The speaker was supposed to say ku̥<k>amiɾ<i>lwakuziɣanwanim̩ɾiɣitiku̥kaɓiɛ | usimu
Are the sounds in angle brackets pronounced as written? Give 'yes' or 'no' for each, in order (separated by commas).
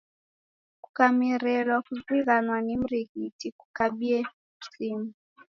yes, no